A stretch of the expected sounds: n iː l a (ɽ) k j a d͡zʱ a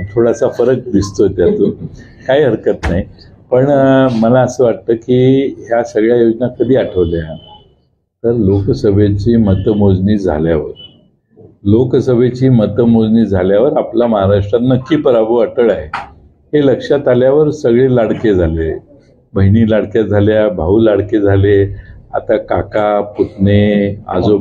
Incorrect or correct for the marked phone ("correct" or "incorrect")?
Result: correct